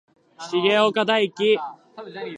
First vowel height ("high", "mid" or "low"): high